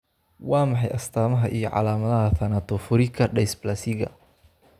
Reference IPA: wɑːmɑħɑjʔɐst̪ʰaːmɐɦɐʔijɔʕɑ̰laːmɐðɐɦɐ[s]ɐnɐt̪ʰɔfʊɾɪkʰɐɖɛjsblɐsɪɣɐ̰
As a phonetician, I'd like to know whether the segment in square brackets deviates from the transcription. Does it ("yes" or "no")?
yes